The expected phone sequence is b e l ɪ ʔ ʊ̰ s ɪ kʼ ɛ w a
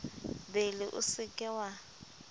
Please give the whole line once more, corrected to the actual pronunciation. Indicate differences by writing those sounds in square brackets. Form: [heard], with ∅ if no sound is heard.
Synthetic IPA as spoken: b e l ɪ ʔ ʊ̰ s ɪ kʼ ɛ w a